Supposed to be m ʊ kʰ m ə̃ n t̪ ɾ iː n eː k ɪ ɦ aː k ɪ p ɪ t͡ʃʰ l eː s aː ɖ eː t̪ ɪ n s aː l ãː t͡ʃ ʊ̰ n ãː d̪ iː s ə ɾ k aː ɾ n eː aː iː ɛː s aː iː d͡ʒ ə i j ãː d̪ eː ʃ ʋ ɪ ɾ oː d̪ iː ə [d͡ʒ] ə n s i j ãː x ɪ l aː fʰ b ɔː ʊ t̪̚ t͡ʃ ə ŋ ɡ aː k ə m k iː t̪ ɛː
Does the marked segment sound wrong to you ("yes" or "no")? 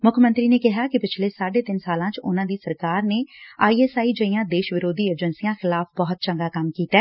no